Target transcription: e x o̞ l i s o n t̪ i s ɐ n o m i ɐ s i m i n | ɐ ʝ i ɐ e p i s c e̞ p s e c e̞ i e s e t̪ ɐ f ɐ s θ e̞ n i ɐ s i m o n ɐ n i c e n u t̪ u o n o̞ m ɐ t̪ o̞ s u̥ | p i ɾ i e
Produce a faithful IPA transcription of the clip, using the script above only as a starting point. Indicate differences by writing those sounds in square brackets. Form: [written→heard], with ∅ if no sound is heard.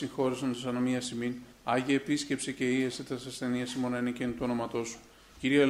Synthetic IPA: [e→i] x o̞ [l→ɾ] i s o n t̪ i s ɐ n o m i ɐ s i m i n | ɐ ʝ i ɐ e p i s c e̞ p s e c e̞ i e s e t̪ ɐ [f→s] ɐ s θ e̞ n i ɐ s i m o n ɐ n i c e n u t̪ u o n o̞ m ɐ t̪ o̞ s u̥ | [p→c] i ɾ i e